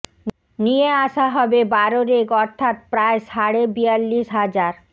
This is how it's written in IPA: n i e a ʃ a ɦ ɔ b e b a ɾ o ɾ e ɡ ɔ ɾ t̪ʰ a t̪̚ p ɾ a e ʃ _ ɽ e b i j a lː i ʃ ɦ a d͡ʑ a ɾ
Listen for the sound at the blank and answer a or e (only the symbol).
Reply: a